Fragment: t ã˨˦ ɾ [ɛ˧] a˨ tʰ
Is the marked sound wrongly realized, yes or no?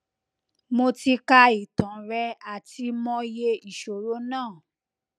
no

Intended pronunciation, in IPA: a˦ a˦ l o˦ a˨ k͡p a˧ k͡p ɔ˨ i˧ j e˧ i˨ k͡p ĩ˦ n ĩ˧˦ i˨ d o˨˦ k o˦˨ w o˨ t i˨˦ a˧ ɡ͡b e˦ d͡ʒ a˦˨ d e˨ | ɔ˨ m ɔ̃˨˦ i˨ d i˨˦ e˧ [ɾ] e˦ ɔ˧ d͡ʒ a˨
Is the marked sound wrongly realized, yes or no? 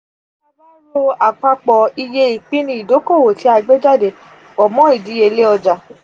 yes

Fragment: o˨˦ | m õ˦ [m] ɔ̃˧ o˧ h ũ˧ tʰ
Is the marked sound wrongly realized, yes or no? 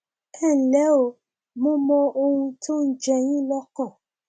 no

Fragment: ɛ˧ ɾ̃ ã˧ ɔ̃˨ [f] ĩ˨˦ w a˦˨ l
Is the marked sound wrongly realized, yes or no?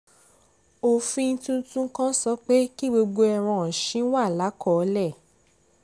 yes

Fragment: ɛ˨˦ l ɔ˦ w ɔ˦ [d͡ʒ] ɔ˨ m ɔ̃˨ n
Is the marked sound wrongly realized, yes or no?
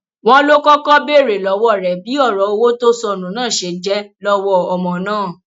yes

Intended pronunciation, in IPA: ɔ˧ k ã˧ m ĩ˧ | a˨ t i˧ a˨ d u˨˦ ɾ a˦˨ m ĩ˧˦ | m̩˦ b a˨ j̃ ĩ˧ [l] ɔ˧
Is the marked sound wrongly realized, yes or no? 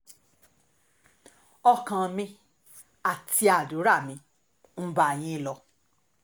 no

